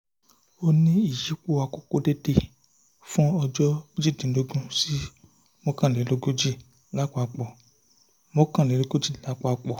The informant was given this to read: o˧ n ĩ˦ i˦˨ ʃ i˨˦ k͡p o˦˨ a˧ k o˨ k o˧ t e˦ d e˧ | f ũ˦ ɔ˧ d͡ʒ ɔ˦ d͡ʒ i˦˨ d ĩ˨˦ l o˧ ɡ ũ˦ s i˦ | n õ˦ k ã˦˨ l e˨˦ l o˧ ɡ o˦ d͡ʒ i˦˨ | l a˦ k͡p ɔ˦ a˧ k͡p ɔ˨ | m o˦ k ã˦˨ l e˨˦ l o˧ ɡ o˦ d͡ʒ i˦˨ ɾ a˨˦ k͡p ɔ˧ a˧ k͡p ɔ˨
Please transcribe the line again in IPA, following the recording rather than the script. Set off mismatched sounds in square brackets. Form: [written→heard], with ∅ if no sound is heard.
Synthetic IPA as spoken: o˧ n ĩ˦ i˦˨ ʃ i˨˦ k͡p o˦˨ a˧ k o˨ k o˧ [t→d] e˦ d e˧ | f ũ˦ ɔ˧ d͡ʒ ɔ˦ d͡ʒ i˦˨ d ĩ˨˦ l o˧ ɡ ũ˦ s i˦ | [n→m] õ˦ k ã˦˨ l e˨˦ l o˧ ɡ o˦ d͡ʒ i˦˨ | l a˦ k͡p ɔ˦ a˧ k͡p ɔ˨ | m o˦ k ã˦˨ l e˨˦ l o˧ ɡ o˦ d͡ʒ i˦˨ [ɾ→l] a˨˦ k͡p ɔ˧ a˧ k͡p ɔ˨